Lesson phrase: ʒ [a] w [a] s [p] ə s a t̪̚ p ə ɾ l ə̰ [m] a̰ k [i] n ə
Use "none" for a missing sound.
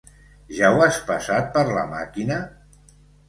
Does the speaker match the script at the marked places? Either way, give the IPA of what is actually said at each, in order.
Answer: a, a, p, m, i

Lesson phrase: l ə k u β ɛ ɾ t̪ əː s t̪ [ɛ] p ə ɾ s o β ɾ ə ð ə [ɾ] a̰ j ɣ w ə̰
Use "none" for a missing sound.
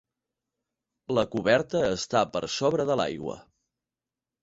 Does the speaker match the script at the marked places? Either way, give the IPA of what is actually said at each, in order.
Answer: a, l

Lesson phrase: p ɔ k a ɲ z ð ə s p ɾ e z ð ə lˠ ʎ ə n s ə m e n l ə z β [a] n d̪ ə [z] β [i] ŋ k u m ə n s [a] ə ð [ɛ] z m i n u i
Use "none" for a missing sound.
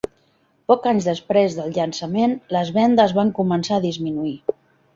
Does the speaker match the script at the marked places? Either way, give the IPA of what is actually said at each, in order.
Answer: ɛ, z, a, a, i

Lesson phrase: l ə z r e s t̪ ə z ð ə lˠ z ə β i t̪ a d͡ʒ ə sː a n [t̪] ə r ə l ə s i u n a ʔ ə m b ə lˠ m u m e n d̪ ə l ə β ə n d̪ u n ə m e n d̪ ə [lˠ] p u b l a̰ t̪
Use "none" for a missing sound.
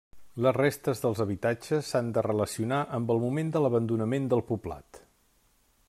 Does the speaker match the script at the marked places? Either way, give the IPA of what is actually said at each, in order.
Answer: d̪, lˠ

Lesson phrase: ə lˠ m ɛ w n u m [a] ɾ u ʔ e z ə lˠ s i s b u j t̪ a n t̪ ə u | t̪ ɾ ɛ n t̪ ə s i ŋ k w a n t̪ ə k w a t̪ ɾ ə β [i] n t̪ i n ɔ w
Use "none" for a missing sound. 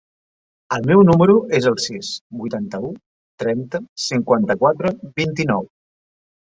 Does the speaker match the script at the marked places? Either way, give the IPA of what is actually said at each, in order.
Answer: ə, i

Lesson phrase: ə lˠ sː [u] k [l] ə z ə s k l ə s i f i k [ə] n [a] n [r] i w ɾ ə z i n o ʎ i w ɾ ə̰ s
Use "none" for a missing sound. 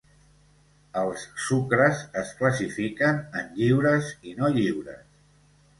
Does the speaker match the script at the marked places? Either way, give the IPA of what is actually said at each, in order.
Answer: u, ɾ, ə, ə, ʎ

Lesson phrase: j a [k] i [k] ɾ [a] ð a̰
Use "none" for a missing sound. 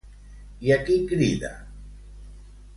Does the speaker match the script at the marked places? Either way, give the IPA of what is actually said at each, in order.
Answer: k, k, i

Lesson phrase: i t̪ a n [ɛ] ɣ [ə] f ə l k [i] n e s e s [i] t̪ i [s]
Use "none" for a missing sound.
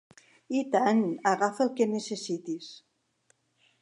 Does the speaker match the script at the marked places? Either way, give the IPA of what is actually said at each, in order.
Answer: a, a, e, i, s

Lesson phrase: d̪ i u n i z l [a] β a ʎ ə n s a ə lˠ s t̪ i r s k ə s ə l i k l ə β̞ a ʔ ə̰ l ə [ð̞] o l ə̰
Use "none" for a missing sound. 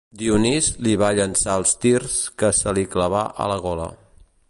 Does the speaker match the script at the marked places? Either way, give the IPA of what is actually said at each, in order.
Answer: i, ɣ̞

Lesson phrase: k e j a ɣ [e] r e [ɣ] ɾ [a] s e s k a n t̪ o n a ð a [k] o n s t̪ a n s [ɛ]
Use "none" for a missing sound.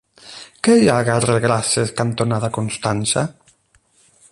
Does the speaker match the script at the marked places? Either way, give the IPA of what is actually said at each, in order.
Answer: a, ɣ, a, k, a

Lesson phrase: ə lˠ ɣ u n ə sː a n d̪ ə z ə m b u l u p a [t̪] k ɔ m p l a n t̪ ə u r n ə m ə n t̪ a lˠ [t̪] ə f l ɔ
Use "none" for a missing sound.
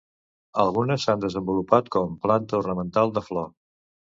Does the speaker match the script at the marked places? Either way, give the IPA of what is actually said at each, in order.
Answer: t̪, d̪

